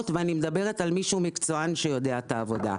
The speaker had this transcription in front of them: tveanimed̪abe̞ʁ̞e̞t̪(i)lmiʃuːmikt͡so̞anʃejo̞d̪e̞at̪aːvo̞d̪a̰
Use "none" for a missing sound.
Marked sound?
a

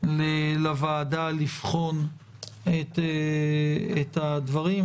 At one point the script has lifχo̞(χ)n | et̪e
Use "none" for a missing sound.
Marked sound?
none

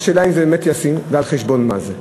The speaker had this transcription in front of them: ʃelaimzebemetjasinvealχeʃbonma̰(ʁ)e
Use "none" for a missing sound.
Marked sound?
z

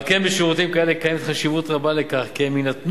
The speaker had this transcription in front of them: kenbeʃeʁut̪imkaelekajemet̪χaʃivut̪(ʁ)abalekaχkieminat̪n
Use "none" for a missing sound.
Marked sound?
ʁ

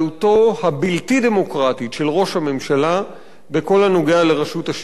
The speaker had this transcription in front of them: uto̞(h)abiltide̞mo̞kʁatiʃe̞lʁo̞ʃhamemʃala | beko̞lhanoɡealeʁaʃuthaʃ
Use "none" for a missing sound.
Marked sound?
h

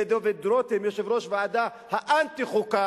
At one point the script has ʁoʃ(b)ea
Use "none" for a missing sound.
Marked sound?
v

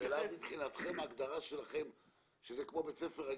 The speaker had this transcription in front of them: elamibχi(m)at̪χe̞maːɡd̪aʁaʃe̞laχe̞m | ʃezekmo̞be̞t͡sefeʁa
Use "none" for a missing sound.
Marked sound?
n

